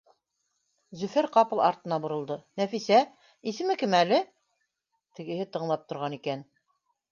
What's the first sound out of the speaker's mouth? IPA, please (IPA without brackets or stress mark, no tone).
z